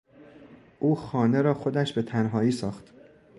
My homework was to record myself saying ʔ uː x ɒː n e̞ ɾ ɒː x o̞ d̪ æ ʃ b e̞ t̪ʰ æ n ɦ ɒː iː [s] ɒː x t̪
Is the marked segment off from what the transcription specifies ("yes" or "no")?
no